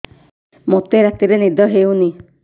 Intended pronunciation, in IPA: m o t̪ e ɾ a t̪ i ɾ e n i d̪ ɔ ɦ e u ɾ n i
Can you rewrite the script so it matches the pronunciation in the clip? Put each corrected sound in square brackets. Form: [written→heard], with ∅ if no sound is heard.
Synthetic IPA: m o t̪ e ɾ a t̪ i ɾ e n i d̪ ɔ ɦ e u [ɾ→∅] n i